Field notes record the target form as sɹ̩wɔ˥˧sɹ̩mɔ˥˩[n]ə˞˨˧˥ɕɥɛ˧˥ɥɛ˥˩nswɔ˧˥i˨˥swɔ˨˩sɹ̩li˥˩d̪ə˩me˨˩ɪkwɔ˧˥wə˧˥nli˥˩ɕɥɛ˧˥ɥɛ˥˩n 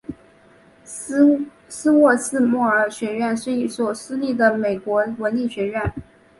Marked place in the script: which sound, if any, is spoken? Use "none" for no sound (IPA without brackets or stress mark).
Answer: none